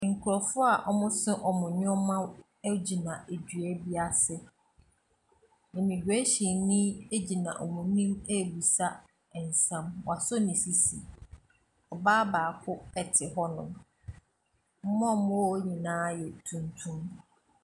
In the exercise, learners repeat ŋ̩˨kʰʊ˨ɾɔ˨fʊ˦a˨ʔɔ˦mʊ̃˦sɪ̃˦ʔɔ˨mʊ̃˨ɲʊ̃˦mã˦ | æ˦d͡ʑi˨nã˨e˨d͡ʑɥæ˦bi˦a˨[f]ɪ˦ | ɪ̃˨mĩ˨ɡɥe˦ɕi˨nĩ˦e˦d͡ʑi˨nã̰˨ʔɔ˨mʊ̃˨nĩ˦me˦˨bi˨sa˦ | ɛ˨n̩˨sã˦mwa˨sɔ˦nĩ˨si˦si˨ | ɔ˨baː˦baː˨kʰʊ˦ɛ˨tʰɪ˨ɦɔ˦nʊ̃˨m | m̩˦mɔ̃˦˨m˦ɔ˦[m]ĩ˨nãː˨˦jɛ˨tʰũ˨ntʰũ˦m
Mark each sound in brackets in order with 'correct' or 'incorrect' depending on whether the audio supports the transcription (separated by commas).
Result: incorrect, incorrect